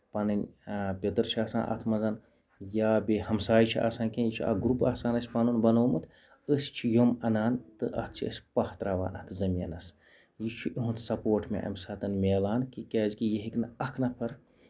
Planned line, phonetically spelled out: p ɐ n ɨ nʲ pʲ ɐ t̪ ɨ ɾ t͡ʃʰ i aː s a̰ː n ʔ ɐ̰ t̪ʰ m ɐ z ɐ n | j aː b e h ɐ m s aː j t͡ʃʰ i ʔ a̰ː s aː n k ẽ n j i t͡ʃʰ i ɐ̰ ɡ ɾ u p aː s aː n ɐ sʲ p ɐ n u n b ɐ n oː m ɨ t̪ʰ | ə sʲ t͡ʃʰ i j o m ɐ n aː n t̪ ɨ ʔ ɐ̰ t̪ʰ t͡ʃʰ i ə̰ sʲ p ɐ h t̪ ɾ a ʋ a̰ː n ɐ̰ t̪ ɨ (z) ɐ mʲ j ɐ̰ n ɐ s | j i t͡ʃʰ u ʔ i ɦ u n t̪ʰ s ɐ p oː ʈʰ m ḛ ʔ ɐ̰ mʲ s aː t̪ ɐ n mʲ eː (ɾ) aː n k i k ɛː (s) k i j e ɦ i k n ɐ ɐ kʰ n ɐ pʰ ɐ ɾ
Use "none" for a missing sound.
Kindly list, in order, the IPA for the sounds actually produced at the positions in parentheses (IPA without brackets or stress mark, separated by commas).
z, l, z